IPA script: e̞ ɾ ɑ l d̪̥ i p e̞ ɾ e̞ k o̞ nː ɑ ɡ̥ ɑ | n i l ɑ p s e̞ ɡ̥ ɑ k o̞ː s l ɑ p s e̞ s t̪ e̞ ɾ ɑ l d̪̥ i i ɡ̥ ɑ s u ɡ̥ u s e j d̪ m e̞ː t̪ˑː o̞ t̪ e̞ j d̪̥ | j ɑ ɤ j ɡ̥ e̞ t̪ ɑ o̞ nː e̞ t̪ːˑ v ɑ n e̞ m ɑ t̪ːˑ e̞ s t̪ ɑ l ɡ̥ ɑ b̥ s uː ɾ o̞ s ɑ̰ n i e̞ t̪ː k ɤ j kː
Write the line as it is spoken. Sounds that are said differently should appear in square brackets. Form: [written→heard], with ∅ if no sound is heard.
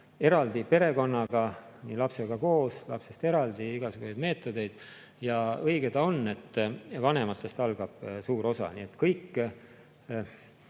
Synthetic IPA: e̞ ɾ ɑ l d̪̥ i p e̞ ɾ e̞ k o̞ nː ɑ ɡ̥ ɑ | n i l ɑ p s e̞ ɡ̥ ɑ k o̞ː s l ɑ p s e̞ s t̪ e̞ ɾ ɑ l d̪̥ i i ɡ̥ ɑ s u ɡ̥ u s e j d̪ m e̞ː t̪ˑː o̞ [t̪→d̪] e̞ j d̪̥ | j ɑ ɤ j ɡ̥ e̞ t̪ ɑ o̞ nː e̞ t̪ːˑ v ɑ n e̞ m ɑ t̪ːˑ e̞ s t̪ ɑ l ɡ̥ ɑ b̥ s uː ɾ o̞ s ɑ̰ n i e̞ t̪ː k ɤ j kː